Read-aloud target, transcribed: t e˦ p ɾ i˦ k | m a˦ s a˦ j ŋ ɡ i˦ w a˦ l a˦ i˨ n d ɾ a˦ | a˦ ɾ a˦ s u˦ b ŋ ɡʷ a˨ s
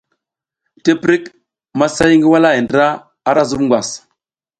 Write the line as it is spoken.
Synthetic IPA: t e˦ p ɾ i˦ k | m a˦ s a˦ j ŋ ɡ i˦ w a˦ l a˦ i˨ n d ɾ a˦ | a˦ ɾ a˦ z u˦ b ŋ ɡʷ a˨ s